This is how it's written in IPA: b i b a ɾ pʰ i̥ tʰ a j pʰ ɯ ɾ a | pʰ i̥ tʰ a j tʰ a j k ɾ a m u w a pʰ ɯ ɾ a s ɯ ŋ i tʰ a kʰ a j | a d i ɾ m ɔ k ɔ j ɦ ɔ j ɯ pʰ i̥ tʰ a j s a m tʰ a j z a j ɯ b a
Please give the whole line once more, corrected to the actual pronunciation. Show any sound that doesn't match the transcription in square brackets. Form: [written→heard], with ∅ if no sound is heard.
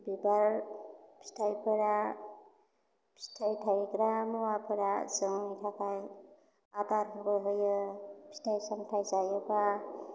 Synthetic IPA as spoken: b i b a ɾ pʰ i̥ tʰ a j pʰ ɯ ɾ a | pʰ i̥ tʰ a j tʰ a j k ɾ a m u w a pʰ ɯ ɾ a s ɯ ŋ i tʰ a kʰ a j | a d [i→a] ɾ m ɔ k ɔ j ɦ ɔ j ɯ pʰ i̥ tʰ a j s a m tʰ a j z a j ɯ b a

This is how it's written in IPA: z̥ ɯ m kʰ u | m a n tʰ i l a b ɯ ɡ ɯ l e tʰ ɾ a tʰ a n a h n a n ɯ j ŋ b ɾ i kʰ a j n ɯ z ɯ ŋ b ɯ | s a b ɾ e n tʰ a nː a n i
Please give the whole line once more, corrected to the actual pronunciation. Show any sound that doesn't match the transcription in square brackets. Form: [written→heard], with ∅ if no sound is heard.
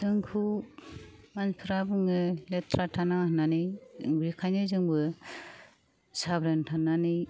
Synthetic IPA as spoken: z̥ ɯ [m→ŋ] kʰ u | m a n [tʰ→pʰ] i [l→ɾ] a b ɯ [ɡ→ŋ] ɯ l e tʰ ɾ a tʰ a n a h n a n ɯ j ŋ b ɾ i kʰ a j n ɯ z ɯ ŋ b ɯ | s a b ɾ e n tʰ a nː a n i

